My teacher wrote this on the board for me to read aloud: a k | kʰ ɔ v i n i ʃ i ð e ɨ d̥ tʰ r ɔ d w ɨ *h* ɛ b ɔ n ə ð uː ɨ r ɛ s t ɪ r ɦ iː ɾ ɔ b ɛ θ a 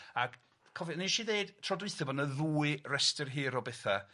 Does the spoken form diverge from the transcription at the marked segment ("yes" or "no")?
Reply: yes